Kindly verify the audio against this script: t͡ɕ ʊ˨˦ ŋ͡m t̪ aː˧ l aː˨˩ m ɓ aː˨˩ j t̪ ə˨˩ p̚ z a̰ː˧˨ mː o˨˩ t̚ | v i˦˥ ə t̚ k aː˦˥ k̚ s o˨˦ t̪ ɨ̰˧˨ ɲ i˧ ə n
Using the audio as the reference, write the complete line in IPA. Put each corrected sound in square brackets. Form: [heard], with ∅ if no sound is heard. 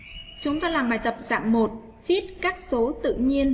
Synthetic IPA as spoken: t͡ɕ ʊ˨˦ ŋ͡m t̪ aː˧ l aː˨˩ m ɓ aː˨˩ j t̪ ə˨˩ p̚ z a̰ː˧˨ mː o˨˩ t̚ | v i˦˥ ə t̚ k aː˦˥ k̚ s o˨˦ t̪ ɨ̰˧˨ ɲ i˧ ə n